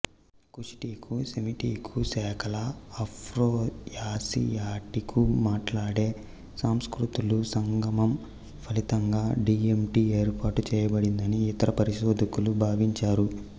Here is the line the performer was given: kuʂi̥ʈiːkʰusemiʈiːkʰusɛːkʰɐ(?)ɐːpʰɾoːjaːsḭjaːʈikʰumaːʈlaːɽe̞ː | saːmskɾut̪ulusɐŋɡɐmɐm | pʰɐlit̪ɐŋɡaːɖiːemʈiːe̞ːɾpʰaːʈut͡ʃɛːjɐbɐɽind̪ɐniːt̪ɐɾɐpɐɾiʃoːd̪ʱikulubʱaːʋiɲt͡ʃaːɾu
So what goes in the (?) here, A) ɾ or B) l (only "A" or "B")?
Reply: B